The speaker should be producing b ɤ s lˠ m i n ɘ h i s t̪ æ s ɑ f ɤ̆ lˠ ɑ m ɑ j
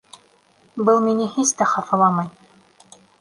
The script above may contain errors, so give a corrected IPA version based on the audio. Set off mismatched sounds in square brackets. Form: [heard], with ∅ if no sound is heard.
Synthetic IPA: b ɤ [∅] lˠ m i n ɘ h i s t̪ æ [χ] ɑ f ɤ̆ lˠ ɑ m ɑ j